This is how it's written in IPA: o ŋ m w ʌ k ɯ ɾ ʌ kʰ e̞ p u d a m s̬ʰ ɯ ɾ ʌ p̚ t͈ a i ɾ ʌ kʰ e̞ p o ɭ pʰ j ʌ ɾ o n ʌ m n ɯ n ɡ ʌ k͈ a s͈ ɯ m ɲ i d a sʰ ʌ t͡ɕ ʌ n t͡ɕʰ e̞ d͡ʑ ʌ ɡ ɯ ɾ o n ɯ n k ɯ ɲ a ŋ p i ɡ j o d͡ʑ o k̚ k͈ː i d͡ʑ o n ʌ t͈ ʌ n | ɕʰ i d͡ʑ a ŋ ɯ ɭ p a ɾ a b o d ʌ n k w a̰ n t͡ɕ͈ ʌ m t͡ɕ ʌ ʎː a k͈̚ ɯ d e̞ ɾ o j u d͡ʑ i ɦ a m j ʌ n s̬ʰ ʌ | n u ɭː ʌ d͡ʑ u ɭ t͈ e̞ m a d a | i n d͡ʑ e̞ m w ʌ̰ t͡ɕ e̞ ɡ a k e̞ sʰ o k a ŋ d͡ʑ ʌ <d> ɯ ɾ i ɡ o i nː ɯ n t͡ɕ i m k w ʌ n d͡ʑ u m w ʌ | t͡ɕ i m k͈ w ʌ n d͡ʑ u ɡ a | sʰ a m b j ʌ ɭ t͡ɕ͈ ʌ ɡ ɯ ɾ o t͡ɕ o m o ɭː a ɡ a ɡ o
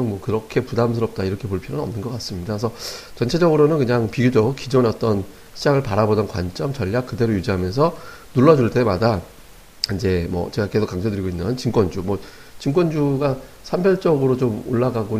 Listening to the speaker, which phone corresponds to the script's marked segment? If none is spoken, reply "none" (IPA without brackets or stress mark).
d